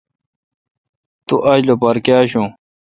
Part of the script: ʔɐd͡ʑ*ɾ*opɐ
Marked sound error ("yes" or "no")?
yes